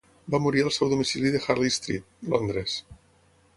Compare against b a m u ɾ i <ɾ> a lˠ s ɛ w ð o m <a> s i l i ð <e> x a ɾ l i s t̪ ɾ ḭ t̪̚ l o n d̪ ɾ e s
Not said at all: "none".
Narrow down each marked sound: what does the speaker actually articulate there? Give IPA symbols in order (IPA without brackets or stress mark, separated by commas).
ɾ, i, e